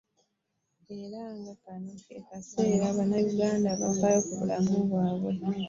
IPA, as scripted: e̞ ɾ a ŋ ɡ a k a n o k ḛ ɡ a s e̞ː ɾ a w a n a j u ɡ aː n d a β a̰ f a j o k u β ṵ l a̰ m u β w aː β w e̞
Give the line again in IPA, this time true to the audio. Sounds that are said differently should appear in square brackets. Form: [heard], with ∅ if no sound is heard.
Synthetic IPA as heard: e̞ ɾ a ŋ ɡ a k a n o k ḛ [k] a s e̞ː ɾ a [β] a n a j u ɡ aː n d a β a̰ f a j o k u β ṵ l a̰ m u β w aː β w e̞

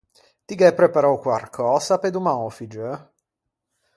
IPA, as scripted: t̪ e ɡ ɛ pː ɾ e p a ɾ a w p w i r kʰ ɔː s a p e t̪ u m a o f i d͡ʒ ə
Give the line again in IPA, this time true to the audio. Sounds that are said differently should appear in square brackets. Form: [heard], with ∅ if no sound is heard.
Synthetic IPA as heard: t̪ [i] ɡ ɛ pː ɾ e p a ɾ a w [k] w [a] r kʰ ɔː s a p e [d̪] u m a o f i d͡ʒ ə

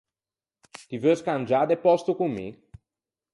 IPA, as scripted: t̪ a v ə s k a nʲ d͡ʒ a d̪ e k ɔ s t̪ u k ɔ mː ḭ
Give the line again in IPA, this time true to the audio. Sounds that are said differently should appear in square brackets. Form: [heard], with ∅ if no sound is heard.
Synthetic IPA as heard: t̪ [i] v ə s k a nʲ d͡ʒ a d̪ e [p] ɔ s t̪ u k [u] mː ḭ

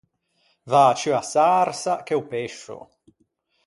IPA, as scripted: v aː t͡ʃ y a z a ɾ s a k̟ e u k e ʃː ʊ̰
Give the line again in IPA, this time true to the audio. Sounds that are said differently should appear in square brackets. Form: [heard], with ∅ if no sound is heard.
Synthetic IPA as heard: v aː t͡ʃ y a [s] a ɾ s a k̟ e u [p] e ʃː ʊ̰

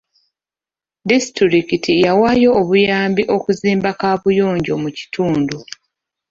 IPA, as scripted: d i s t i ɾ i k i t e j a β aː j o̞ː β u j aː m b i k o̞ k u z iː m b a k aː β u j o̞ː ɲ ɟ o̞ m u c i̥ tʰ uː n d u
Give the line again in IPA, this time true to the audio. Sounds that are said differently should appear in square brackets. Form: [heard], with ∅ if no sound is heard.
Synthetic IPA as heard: d i s t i ɾ i k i t [i] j a [w] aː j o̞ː β u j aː m b i [ʔ] o̞ k u z iː m b a k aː β u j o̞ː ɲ ɟ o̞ m u c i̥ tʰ uː n d u

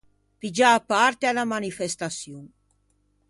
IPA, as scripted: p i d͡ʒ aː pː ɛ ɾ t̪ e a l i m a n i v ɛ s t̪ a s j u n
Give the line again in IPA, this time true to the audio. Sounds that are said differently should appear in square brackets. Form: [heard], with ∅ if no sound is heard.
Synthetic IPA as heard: p i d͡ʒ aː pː [a] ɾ t̪ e a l [a] m a n i [f] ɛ s t̪ a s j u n

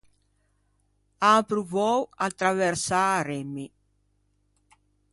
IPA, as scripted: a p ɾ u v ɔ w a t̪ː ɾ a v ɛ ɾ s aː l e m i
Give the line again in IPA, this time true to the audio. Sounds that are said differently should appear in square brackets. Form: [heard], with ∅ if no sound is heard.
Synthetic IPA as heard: a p ɾ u v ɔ w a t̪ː ɾ a v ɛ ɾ s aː [ɾ] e m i

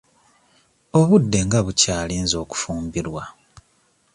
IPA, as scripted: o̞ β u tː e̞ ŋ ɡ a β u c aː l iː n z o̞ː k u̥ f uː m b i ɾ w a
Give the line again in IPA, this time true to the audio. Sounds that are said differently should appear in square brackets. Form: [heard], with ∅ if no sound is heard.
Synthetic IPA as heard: o̞ β u [dː] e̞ ŋ ɡ a β u c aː l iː n z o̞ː k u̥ f uː m b i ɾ w a

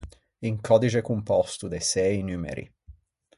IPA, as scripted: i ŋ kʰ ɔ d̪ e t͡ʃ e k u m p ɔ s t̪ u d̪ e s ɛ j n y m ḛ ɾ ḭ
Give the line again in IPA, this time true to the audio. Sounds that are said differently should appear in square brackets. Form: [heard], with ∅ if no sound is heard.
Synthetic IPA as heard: i ŋ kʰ ɔ d̪ [i] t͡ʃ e k u m p ɔ s t̪ u d̪ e s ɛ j n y m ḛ ɾ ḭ

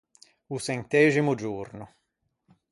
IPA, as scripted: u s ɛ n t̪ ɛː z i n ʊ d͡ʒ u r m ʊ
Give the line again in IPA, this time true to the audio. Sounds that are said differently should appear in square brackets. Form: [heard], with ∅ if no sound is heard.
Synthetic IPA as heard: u s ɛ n t̪ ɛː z i [m] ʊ d͡ʒ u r [n] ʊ

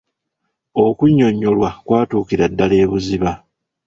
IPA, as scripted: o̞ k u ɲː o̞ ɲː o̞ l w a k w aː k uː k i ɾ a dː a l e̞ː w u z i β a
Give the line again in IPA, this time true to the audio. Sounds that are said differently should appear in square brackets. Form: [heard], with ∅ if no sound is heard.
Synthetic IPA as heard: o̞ k u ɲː o̞ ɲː o̞ l w a k w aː [t] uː k i ɾ a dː a l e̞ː [β] u z i β a

